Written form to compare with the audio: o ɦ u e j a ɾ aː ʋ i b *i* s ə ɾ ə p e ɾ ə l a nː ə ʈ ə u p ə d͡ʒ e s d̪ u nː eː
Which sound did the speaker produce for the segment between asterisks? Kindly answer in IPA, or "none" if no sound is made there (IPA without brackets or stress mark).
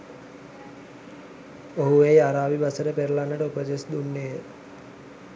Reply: a